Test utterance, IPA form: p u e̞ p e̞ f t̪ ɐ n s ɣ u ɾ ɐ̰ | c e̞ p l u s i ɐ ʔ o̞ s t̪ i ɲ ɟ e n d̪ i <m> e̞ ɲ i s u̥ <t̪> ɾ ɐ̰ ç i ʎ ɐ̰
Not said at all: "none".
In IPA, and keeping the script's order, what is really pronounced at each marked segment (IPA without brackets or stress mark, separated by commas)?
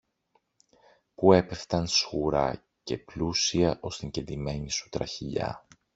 m, t̪